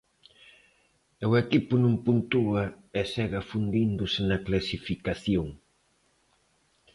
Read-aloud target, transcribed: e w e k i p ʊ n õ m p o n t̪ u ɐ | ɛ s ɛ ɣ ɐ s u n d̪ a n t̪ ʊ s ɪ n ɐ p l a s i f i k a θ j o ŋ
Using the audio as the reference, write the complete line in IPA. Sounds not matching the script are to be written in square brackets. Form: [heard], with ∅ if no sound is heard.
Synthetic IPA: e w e k i p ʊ n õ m p [u] n t̪ u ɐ | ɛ s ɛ ɣ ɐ [f] u n d̪ [i] n [d̪] ʊ s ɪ n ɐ [k] l a s i f i k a θ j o ŋ